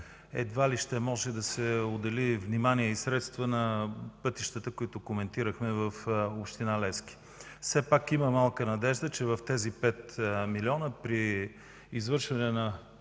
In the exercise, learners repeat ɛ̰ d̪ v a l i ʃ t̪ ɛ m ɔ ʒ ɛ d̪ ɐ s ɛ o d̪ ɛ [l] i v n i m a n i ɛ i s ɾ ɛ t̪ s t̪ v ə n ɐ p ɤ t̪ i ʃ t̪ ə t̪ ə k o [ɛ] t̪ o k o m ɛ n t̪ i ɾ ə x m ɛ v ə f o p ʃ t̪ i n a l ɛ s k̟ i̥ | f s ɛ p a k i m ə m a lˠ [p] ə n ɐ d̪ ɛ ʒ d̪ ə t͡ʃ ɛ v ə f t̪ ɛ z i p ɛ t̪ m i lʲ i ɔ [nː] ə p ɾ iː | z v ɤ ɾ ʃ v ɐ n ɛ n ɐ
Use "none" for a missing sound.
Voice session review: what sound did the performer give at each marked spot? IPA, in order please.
l, i, k, n

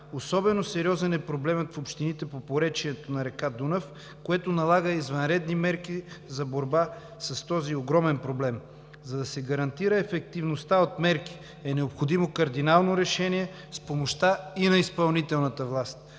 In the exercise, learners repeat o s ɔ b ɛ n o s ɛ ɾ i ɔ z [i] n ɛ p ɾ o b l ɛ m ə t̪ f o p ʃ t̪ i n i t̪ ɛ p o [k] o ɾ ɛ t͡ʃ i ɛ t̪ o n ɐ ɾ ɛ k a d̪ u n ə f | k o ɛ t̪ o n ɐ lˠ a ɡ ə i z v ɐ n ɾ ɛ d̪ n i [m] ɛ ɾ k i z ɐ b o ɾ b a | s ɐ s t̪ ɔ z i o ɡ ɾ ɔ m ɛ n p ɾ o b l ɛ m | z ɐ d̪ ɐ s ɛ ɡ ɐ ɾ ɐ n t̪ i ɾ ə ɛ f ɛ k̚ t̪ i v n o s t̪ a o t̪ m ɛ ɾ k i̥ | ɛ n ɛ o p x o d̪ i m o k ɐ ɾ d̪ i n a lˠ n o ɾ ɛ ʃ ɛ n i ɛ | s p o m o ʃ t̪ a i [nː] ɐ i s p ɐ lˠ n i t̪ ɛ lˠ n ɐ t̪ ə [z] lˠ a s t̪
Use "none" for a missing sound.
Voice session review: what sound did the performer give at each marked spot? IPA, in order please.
ɛ, p, m, n, v

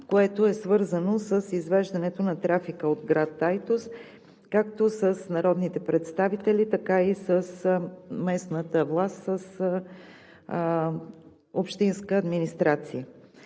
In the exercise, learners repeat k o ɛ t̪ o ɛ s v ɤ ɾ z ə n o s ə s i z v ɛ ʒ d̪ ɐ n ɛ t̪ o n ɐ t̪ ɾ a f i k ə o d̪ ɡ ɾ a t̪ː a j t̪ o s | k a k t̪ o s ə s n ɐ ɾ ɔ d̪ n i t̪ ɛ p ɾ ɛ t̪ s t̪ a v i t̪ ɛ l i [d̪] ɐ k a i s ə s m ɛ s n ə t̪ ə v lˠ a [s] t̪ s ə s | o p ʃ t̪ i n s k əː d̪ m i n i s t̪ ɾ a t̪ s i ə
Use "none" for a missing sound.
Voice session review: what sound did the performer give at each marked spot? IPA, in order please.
t̪, s

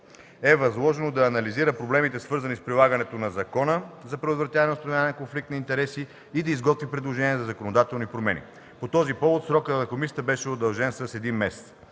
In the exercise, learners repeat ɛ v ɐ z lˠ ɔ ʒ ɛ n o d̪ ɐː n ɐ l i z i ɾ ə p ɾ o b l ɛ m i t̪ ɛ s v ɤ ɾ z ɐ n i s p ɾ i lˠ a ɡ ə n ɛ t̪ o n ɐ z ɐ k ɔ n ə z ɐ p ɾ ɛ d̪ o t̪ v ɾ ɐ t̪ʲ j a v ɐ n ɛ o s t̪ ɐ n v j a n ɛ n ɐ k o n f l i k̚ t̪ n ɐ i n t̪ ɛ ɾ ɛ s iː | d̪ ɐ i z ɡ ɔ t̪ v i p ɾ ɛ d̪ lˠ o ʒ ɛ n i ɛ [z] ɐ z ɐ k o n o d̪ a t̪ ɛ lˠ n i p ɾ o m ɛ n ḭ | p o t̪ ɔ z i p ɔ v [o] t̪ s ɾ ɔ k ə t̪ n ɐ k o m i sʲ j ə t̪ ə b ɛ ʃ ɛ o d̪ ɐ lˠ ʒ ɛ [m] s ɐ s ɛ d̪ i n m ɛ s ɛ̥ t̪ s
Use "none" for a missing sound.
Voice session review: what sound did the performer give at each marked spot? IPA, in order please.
z, o, n

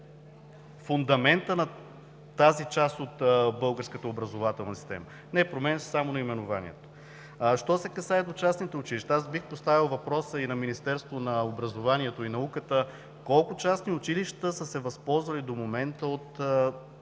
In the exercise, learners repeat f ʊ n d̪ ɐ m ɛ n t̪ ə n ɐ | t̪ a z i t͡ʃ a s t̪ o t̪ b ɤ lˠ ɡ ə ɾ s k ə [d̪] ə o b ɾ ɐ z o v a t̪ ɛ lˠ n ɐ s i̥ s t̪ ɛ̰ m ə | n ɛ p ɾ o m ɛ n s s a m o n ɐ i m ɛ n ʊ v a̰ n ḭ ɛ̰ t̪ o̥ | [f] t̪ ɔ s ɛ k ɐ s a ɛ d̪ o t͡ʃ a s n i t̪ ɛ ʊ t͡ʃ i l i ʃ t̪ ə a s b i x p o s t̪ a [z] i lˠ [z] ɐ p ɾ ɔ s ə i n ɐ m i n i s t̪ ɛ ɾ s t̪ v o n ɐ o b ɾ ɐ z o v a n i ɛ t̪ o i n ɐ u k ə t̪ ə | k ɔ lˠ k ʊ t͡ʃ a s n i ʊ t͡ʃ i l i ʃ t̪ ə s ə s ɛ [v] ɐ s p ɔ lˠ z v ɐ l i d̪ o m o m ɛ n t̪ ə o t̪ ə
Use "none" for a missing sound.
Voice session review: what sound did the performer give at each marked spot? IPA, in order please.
t̪, ʃ, v, v, v

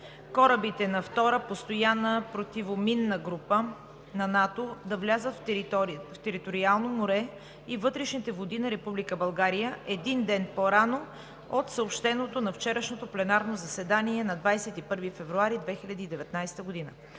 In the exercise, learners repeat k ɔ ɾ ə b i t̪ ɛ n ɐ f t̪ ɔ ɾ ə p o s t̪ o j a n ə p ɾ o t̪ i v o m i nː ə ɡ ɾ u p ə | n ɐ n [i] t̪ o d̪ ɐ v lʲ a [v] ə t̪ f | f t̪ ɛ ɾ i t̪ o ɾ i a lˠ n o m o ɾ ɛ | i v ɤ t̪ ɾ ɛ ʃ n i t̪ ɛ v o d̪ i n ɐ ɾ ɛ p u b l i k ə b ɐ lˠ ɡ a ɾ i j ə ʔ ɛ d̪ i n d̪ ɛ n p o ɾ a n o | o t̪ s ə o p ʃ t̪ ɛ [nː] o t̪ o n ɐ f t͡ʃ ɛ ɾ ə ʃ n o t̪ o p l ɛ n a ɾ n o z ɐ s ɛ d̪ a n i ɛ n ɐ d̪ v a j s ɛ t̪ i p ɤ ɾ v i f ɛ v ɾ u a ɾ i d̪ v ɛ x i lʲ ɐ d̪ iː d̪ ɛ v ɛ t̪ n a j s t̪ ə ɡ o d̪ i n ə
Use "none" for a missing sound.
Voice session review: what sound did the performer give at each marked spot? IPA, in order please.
a, z, n

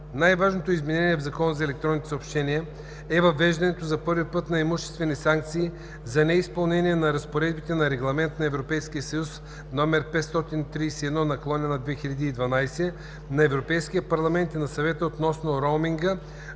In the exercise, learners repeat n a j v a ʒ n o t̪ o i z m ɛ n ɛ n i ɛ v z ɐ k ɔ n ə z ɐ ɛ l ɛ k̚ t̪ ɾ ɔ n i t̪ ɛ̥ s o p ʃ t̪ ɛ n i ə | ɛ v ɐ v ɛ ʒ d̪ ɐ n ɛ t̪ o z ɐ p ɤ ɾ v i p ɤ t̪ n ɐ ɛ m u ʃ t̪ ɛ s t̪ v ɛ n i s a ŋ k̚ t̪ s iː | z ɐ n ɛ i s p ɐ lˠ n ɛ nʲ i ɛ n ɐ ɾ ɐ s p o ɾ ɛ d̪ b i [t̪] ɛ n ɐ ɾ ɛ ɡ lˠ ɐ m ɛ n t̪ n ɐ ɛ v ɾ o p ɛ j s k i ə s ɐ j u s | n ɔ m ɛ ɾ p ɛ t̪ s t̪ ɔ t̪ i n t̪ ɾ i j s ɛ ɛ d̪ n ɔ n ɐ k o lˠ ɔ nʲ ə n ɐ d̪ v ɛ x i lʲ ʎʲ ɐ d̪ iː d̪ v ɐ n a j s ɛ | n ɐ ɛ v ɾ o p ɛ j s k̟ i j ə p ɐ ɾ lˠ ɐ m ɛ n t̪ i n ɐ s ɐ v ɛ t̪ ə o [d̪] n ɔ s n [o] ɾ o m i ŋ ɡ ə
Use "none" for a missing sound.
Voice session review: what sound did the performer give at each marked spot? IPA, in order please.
t̪, t̪, o

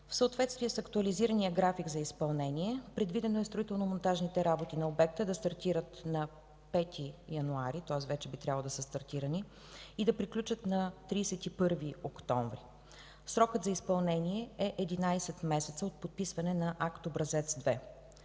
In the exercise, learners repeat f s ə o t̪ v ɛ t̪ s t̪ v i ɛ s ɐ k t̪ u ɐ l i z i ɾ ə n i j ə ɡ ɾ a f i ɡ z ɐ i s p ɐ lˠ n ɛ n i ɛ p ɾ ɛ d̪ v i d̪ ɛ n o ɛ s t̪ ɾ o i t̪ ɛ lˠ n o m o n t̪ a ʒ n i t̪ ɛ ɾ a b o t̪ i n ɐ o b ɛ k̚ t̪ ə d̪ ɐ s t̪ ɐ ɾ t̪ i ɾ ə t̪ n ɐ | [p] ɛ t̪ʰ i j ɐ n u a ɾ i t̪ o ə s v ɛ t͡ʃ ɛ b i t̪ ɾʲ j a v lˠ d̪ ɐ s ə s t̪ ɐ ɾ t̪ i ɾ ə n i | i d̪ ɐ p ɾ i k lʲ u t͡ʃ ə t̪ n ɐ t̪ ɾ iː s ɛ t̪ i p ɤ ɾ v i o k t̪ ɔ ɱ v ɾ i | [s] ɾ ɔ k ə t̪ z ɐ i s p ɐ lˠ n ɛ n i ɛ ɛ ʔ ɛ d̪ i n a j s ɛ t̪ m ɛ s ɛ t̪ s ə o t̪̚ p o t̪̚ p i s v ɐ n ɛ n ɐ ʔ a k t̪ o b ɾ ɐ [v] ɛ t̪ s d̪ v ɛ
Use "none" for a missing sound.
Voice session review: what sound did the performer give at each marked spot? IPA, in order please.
p, s, z

